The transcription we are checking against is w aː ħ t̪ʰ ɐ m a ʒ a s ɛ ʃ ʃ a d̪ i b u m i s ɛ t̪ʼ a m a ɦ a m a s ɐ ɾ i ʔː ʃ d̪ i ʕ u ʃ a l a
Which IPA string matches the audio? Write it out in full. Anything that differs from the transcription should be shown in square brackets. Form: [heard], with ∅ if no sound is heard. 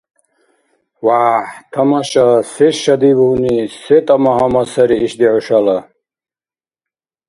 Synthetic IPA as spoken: w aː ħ t̪ʰ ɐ m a [ʃ] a s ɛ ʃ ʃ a d̪ i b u [n] i s ɛ t̪ʼ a m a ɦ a m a s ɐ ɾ i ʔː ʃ d̪ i ʕ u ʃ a l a